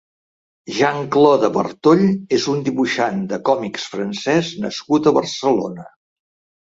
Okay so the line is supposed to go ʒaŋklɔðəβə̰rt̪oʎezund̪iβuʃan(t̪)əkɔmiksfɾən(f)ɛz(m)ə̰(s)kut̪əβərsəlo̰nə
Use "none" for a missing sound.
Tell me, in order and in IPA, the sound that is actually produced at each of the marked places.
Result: d̪, s, n, s

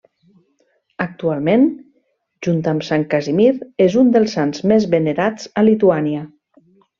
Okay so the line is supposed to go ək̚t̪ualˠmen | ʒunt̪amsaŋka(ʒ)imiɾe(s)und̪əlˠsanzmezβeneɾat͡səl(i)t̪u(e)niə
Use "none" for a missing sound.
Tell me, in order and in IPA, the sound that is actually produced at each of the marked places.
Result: z, z, i, a

